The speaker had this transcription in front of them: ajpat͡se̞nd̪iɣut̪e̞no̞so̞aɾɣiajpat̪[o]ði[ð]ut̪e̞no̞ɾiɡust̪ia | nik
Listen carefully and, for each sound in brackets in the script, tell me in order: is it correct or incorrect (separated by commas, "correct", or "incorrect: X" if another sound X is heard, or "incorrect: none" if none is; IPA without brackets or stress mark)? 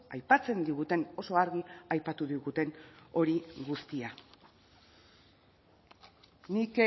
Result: incorrect: u, incorrect: ɣ